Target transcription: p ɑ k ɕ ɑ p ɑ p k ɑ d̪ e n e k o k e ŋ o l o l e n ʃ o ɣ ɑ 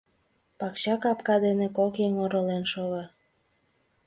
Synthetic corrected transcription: p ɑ k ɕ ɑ k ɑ p k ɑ d̪ e n e k o k e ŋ o ɾ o l e n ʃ o ɣ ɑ